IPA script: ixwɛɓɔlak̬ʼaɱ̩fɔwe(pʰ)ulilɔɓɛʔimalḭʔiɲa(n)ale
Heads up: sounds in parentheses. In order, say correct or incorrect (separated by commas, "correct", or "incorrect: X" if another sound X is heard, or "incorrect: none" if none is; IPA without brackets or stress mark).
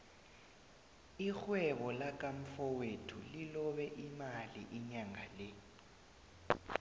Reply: incorrect: tʰ, incorrect: ŋ